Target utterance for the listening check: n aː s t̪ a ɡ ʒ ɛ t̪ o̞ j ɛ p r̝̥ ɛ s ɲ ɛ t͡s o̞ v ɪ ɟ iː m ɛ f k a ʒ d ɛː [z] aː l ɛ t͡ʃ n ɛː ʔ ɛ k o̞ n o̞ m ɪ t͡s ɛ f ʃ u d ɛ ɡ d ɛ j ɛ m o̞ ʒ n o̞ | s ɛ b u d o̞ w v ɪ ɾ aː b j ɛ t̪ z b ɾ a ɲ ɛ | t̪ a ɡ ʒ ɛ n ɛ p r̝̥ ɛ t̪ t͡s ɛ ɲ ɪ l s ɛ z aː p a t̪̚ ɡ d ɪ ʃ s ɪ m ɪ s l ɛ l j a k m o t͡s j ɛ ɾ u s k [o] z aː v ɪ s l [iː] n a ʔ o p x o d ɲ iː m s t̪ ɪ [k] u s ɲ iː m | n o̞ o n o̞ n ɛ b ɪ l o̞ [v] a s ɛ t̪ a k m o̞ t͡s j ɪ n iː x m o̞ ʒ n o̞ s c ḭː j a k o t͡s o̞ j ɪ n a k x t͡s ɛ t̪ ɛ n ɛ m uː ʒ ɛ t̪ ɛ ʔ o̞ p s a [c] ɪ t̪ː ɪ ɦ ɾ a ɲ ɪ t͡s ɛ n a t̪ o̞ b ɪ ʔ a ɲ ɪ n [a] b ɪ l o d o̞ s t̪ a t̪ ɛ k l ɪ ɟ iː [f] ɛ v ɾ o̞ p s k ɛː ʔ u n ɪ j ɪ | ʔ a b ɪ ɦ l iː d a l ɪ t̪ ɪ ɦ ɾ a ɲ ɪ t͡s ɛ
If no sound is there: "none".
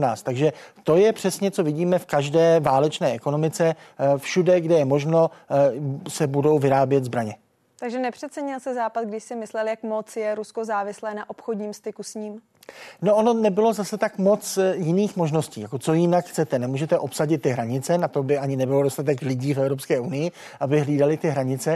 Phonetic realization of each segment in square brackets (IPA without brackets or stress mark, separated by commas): v, o, ɛː, k, z, ɟ, ɛ, f